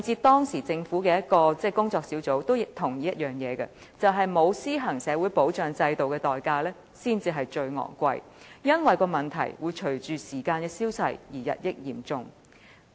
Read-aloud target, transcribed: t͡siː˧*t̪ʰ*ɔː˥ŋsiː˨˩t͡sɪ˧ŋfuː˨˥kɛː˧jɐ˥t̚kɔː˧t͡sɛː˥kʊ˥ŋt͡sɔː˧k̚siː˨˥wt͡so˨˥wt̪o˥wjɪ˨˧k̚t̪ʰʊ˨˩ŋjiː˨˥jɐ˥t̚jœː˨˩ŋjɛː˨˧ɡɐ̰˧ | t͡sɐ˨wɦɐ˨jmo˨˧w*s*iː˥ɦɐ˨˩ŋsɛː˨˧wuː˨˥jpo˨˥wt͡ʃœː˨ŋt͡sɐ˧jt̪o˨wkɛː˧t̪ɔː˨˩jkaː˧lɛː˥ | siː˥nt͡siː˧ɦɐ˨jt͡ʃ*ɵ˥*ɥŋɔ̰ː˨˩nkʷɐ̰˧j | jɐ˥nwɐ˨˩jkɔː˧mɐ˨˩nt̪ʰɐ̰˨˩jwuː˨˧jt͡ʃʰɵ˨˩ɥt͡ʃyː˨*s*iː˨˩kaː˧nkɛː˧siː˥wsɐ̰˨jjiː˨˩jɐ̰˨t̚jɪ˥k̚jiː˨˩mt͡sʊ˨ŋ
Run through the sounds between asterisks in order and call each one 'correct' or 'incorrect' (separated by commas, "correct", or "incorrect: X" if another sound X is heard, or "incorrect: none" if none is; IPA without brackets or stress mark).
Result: incorrect: t̪, correct, incorrect: ɵ˧, correct